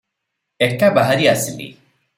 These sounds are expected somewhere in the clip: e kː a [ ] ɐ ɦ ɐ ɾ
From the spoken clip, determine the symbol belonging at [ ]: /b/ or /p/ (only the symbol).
b